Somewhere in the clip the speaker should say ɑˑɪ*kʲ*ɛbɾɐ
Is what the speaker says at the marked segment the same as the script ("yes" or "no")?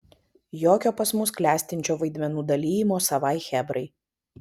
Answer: no